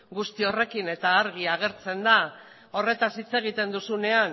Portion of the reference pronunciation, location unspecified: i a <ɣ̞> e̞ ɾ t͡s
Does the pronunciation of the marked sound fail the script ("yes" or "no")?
no